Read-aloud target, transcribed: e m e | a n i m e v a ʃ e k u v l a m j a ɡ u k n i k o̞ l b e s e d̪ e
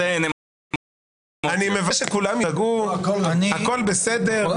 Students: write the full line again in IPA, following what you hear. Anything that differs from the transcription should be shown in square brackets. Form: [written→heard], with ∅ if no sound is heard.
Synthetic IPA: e [m→n] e | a n i m e v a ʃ e k u [v→∅] l a m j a ɡ u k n [i→a] k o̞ l b e s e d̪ e